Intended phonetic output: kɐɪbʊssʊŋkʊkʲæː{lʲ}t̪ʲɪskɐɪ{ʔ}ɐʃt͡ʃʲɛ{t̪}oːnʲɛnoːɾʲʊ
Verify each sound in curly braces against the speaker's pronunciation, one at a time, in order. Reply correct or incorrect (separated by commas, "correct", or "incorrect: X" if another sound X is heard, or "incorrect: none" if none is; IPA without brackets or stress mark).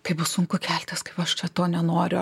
correct, incorrect: p, correct